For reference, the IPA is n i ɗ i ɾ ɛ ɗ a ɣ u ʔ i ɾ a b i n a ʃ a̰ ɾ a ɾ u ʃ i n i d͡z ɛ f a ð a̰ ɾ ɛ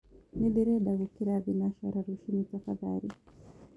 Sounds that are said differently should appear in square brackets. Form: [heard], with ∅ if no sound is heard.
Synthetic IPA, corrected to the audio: n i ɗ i ɾ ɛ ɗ a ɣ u [k] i ɾ a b i n a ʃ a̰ ɾ a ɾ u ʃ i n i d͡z [a] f a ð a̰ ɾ [i]